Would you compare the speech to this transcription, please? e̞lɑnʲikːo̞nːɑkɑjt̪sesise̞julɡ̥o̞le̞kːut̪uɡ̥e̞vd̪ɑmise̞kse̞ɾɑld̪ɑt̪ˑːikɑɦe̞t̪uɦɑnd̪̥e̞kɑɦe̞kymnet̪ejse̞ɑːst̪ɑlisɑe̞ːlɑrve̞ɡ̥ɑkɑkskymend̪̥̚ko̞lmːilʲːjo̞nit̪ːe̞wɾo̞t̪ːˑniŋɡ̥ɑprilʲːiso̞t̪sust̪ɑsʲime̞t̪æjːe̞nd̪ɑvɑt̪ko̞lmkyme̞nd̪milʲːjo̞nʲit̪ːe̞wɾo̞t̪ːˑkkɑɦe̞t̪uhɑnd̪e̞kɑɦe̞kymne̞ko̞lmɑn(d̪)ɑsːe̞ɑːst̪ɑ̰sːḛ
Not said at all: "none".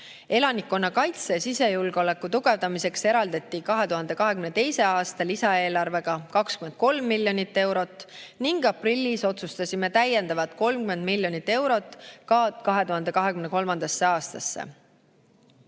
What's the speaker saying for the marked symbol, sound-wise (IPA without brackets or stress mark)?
d̪